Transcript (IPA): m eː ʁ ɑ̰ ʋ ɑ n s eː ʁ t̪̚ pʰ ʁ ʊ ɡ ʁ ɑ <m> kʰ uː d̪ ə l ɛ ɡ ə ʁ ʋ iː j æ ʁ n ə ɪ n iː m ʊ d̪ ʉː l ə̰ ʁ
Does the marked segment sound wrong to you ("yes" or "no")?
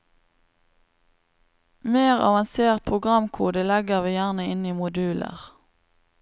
no